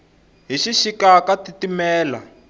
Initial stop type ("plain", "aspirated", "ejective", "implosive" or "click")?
plain